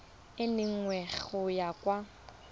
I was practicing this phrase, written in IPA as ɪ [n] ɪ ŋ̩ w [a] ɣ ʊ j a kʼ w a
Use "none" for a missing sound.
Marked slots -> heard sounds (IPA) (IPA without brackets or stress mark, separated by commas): n, ɛ